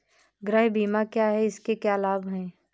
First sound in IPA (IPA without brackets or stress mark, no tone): ɡ